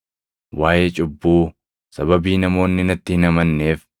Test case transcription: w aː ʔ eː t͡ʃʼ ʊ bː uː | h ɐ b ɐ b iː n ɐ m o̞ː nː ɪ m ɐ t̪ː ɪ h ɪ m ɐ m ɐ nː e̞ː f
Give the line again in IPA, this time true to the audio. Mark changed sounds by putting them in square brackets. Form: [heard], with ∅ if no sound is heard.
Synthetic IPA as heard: w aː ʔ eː t͡ʃʼ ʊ bː uː | [s] ɐ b ɐ b iː n ɐ m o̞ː nː ɪ [n] ɐ t̪ː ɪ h ɪ [n] ɐ m ɐ nː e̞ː f